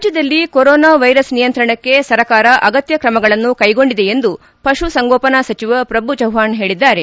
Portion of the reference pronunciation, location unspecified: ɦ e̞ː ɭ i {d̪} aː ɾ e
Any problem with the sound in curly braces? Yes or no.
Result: yes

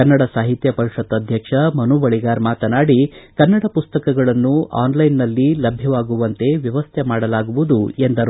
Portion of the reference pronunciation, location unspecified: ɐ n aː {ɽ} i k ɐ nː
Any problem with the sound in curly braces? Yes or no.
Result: no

